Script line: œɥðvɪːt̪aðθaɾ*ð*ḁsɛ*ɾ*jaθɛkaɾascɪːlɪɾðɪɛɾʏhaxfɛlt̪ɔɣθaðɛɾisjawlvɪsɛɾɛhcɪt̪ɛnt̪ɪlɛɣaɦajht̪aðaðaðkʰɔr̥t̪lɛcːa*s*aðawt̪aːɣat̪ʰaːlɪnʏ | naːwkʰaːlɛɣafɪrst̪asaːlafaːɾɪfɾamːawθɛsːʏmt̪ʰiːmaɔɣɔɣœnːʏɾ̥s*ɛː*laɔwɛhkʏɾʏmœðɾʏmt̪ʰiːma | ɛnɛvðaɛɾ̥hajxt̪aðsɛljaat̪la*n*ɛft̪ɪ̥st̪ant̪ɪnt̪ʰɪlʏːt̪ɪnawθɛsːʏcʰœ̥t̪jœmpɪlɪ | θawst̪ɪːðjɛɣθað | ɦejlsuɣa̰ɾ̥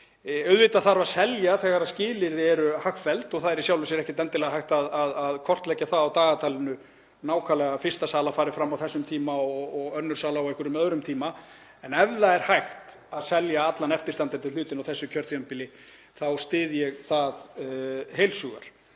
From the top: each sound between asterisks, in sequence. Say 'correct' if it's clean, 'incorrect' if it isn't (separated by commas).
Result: incorrect, incorrect, incorrect, incorrect, correct